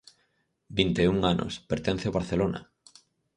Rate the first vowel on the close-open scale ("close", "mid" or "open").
close